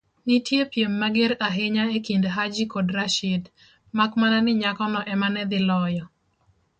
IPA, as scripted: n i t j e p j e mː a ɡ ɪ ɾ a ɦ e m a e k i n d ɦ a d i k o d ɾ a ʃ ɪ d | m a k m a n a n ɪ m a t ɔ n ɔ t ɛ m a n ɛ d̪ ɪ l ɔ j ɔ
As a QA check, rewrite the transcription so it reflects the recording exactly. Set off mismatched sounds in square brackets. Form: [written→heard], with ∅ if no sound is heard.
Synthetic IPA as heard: n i t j e p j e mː a ɡ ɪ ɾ a ɦ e [m→ɲ] a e k i n d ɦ a [d→d͡ʒ] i k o d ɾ a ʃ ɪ d | m a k m a n a n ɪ [m→ɲ] a [t→k] ɔ n ɔ [t→ʔ] ɛ m a n ɛ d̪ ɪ l ɔ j ɔ